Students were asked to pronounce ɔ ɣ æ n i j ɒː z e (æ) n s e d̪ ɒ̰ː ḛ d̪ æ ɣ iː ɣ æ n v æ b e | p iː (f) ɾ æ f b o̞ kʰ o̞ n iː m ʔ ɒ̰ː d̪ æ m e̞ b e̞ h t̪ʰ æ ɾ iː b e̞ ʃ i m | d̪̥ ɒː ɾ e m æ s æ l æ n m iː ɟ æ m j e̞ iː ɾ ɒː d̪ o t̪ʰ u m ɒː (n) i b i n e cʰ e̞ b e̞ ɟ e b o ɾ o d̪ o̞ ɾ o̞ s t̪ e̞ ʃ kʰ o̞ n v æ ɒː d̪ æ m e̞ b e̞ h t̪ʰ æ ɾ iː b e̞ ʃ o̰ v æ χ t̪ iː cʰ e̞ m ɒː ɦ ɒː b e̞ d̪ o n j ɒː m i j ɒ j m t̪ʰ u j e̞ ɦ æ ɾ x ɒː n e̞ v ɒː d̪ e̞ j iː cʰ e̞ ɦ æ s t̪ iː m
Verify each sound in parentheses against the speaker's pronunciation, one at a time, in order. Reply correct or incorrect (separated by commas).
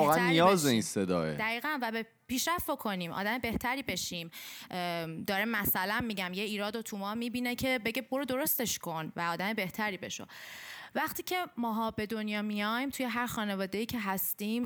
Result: incorrect, incorrect, incorrect